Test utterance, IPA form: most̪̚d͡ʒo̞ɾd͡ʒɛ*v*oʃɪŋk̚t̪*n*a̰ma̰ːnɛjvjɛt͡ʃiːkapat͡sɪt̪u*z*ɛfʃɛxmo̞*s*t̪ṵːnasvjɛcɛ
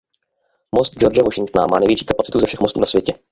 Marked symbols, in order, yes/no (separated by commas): yes, yes, yes, yes